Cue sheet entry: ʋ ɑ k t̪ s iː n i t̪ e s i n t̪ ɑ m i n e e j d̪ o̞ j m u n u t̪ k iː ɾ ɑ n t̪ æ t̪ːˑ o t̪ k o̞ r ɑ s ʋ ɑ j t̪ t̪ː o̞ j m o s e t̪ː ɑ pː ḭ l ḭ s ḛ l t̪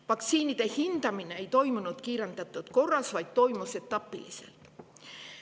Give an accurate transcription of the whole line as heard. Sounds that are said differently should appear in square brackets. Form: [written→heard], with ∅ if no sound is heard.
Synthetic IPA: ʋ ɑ k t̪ s iː n i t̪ e [s→h] i n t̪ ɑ m i n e e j [d̪→t̪] o̞ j m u n u t̪ k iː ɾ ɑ n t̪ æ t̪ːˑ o t̪ k o̞ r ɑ s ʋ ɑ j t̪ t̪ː o̞ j m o s e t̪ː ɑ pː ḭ l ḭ s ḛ l t̪